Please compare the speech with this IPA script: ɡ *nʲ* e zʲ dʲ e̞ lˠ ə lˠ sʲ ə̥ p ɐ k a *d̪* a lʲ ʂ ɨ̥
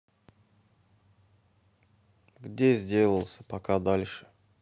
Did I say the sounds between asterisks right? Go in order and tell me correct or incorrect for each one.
incorrect: dʲ, correct

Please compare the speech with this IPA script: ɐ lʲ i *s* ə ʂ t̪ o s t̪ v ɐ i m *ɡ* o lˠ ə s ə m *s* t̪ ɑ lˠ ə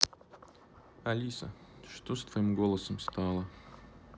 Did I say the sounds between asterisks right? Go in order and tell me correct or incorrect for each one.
correct, correct, correct

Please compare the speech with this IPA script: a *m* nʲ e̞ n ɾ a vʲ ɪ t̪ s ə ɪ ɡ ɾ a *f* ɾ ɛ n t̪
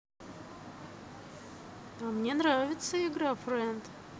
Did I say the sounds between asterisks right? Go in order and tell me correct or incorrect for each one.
correct, correct

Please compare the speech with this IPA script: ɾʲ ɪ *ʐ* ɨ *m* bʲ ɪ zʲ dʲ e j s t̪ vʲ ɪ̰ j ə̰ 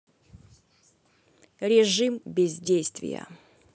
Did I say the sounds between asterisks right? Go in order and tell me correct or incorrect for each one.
correct, correct

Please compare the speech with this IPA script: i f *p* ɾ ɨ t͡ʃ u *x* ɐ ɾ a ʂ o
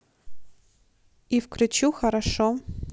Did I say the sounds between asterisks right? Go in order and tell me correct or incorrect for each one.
incorrect: k, correct

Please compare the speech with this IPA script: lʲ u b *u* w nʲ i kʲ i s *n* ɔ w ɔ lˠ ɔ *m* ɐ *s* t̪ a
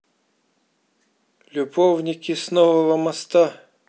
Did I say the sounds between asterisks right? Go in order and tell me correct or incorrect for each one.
incorrect: ɔ, correct, correct, correct

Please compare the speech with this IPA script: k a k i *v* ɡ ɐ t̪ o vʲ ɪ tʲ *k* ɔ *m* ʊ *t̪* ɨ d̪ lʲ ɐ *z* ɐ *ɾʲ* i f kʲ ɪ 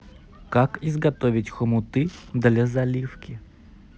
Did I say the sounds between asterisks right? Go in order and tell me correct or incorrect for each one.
incorrect: z, incorrect: x, correct, correct, correct, incorrect: lʲ

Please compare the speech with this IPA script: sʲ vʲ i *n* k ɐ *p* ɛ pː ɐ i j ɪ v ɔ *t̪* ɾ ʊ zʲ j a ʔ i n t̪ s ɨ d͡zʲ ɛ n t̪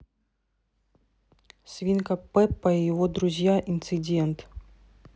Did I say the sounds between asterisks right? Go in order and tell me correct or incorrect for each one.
correct, correct, incorrect: d̪

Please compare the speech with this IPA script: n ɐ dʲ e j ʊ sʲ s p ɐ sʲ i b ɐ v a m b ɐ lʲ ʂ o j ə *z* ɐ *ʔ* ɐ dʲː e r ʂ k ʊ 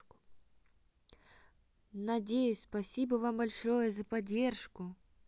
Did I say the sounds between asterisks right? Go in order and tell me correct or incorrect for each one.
correct, incorrect: p

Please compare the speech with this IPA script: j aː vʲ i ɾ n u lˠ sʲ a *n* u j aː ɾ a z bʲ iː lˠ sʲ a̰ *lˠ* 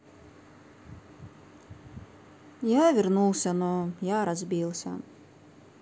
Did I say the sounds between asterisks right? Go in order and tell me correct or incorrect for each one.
correct, incorrect: none

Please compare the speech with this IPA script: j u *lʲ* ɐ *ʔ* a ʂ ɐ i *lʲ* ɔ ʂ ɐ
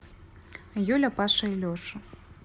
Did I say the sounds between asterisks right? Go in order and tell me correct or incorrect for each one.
correct, incorrect: p, correct

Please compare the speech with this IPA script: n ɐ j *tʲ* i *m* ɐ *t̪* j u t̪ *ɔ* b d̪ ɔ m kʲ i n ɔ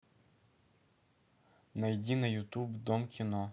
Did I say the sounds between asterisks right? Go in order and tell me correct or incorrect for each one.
incorrect: dʲ, incorrect: n, incorrect: none, incorrect: u

